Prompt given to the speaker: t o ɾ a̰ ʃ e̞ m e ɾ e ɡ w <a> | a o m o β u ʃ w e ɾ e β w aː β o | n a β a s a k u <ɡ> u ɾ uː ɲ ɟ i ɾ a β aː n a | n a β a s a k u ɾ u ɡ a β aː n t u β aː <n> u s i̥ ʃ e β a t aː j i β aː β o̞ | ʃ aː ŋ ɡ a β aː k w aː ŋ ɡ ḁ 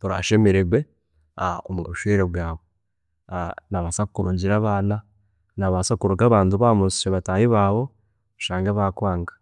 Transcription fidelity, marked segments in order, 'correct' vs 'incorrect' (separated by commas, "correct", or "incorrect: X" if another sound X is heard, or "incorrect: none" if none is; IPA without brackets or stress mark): incorrect: e, incorrect: k, incorrect: m